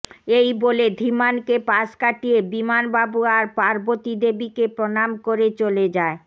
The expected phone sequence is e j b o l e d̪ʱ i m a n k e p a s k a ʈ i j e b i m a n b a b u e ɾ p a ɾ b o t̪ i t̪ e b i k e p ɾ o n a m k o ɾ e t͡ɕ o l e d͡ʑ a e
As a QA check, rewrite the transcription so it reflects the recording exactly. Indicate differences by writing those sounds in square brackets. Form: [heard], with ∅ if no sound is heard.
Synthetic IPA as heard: e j b o l e d̪ʱ i m a n k e p a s k a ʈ i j e b i m a n b a b u [a] ɾ p a ɾ b o t̪ i [d̪] e b i k e p ɾ o n a m k o ɾ e t͡ɕ o l e d͡ʑ a e